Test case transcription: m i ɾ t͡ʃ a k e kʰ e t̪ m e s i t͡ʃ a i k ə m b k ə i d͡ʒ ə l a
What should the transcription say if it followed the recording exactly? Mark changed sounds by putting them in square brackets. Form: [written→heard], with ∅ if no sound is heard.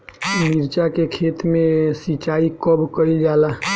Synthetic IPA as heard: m i ɾ t͡ʃ a k e kʰ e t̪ m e s i t͡ʃ a i k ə [m→∅] b k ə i d͡ʒ [ə→a] l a